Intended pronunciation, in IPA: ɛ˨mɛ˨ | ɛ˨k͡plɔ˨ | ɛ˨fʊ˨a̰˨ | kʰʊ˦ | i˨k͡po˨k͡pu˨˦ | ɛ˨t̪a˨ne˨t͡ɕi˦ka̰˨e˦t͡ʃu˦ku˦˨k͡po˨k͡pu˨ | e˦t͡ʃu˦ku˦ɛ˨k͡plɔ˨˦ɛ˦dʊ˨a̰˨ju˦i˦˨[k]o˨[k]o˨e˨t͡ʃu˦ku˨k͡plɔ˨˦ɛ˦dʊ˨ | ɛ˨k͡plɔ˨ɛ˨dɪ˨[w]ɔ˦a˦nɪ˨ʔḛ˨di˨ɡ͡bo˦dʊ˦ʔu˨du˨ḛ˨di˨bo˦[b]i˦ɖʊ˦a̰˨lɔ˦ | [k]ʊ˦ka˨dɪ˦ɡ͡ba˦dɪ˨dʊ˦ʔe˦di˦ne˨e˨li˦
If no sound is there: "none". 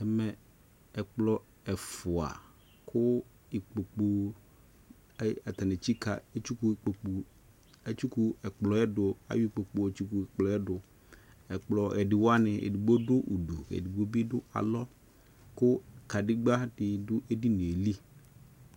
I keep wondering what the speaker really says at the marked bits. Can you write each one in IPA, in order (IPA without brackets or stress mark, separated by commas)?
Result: k͡p, k͡p, w, b, k